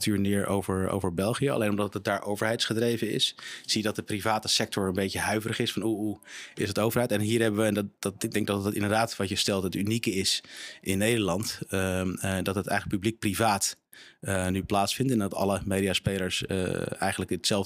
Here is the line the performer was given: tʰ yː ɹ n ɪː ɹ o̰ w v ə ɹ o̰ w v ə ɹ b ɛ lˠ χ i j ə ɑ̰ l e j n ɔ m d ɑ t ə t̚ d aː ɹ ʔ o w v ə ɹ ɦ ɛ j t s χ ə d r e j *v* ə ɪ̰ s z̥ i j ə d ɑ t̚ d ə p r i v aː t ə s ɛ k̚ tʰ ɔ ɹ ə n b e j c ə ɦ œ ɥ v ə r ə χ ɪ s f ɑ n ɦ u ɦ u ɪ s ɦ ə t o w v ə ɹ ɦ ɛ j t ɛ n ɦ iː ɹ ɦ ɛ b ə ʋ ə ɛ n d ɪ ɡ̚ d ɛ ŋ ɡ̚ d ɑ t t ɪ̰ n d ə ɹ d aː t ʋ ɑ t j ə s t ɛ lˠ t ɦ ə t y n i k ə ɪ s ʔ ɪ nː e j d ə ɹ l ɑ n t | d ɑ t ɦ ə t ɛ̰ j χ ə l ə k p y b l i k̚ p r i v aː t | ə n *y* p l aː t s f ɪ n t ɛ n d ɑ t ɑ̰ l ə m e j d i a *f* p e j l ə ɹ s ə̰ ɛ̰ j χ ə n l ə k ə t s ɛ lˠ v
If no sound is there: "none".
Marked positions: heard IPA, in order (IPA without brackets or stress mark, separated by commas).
v, y, s